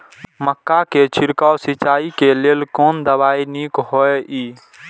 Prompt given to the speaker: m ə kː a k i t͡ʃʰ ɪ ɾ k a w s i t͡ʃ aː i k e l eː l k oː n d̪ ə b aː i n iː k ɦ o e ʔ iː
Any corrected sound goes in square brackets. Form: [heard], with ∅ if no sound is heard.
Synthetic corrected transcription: m ə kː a k [e] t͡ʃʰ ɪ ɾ k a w s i t͡ʃ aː i k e l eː l k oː n d̪ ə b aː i n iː k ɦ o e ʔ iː